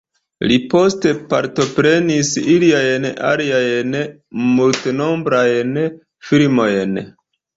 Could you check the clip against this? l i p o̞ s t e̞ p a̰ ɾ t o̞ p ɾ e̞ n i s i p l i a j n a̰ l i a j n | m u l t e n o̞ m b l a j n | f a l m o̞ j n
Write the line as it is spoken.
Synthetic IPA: l i p o̞ s t e̞ p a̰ ɾ t o̞ p ɾ e̞ n i s i l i a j n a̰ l i a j n | m u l t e n o̞ m b ɾ a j n | f i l m o̞ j n